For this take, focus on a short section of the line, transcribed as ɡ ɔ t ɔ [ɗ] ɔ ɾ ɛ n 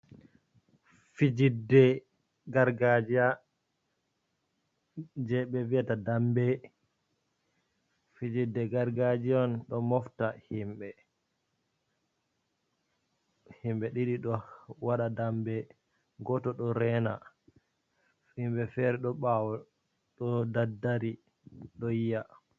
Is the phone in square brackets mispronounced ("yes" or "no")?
no